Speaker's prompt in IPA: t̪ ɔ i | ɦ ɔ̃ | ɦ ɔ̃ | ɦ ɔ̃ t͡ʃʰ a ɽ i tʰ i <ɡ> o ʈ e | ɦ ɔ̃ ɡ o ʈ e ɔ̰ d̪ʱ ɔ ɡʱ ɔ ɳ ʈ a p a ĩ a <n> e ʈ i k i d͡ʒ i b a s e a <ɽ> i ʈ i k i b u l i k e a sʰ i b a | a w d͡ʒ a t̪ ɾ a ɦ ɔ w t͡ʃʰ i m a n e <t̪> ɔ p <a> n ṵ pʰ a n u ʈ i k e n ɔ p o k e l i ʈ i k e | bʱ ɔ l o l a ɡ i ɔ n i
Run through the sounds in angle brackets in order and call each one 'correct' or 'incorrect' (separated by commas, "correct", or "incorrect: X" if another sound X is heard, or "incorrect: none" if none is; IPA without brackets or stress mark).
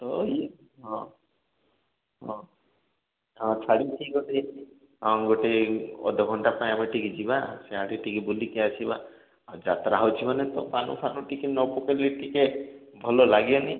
correct, incorrect: m, correct, correct, correct